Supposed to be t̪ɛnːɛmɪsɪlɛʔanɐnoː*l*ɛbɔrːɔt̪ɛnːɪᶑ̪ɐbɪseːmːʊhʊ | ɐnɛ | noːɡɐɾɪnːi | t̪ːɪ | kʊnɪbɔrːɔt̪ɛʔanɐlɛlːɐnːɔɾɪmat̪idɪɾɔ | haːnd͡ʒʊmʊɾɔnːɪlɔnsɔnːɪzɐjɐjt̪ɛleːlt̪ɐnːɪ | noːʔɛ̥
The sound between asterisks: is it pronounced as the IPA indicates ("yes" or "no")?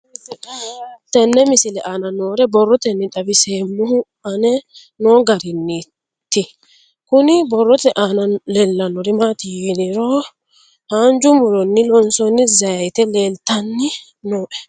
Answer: no